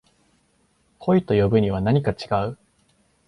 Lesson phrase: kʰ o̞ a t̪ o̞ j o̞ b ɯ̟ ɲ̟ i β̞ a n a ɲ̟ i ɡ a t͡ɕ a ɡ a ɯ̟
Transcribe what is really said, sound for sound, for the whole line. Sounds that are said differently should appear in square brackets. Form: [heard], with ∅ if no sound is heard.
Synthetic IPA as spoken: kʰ o̞ [i] t̪ o̞ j o̞ b ɯ̟ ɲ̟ i β̞ a n a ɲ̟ i [k] a t͡ɕ [i] ɡ a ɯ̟

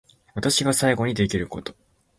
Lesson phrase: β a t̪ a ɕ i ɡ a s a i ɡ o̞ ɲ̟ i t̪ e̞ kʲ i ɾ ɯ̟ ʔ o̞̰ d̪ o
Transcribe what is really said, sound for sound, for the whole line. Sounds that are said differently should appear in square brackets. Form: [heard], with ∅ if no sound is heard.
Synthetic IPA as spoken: β a t̪ a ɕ i ɡ a s a i ɡ o̞ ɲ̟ i [d̪] e̞ kʲ i ɾ ɯ̟ [k] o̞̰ [t̪] o

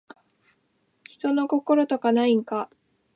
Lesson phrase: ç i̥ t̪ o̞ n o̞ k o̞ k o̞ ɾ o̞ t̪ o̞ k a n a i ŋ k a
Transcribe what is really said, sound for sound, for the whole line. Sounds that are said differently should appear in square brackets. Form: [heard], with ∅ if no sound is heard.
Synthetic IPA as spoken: ç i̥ t̪ o̞ n o̞ k o̞ k o̞ ɾ o̞ t̪ o̞ k a n a i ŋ k a

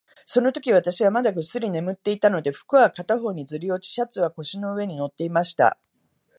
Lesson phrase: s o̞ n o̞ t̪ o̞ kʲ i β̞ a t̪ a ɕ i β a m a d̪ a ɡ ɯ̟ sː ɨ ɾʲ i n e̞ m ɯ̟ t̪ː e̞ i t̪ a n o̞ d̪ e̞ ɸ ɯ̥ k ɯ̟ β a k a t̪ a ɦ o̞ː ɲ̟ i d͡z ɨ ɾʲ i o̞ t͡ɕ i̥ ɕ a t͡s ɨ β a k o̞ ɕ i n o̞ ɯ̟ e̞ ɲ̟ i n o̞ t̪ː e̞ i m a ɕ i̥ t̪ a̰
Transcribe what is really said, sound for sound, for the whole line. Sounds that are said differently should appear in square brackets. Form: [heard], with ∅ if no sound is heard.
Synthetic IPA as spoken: s o̞ n o̞ t̪ o̞ kʲ i β̞ a t̪ a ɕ i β a m a d̪ a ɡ ɯ̟ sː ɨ ɾʲ i n e̞ m ɯ̟ t̪ː e̞ i t̪ a n o̞ d̪ e̞ ɸ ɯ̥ k ɯ̟ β a k a t̪ a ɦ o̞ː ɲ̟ i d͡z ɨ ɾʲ i o̞ t͡ɕ i̥ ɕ a t͡s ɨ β a k o̞ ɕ i n o̞ ɯ̟ e̞ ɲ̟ i n o̞ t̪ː e̞ i m a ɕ i̥ t̪ a̰

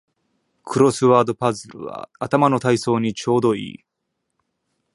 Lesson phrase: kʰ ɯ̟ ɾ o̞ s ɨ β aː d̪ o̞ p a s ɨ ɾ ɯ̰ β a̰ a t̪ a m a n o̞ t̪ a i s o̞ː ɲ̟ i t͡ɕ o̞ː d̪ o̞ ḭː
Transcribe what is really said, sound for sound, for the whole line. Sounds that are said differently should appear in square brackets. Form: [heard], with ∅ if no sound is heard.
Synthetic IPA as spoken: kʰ ɯ̟ ɾ o̞ s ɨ β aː d̪ o̞ p a [z] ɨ ɾ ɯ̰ β a̰ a t̪ a m a n o̞ t̪ a i s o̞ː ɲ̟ i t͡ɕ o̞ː d̪ o̞ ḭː

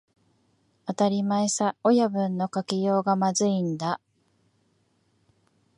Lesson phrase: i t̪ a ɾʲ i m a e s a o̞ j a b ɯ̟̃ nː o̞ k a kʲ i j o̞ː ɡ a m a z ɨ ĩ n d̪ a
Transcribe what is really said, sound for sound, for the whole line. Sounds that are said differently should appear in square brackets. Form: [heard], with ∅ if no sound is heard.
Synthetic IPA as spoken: [a] t̪ a ɾʲ i m a e s a o̞ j a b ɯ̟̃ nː o̞ k a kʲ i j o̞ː ɡ a m a z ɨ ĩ n d̪ a

